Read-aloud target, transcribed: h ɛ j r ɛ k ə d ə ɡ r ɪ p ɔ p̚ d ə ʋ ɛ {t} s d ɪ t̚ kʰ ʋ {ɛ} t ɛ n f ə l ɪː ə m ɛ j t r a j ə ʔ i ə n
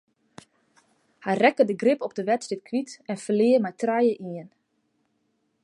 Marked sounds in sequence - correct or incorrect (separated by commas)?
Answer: correct, incorrect